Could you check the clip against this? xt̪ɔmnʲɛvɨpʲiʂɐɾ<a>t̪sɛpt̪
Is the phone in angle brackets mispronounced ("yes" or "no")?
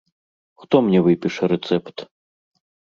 yes